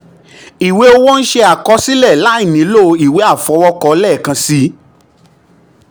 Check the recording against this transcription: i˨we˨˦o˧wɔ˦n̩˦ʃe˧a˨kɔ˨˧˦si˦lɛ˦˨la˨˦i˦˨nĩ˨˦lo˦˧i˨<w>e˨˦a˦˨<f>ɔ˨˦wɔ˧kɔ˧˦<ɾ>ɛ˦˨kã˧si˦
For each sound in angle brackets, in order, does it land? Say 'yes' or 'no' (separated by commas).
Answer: yes, yes, no